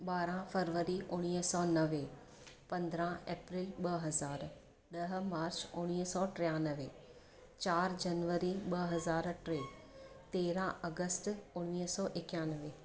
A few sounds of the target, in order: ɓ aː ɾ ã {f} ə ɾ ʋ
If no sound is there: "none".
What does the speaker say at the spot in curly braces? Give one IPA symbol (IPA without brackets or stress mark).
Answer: f